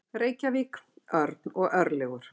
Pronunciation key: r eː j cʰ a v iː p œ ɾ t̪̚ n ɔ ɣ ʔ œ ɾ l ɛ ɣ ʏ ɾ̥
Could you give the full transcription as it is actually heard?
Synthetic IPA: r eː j c a v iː k œ ɾ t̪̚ n ɔ ɣ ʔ œ ɾ l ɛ ɣ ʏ ɾ̥